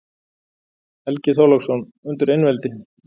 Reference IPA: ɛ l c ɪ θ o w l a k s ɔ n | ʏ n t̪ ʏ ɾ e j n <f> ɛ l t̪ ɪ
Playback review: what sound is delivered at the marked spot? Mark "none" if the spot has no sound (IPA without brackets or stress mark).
v